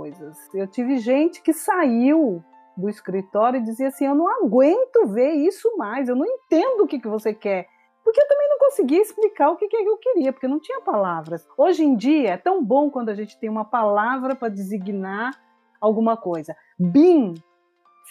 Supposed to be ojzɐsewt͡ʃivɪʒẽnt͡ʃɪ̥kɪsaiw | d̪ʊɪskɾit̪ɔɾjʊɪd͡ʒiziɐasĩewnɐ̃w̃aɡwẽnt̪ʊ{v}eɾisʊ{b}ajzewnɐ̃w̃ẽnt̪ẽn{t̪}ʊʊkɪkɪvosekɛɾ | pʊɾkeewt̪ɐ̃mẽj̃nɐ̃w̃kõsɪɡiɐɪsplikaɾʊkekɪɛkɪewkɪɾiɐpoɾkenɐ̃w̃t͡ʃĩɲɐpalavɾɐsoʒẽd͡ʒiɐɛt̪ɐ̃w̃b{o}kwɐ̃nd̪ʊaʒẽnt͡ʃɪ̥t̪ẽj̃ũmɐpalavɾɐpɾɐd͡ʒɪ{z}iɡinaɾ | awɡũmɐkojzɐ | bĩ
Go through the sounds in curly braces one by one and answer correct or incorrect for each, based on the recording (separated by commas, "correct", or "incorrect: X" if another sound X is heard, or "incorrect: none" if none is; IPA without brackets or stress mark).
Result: correct, incorrect: m, incorrect: d̪, incorrect: õ, correct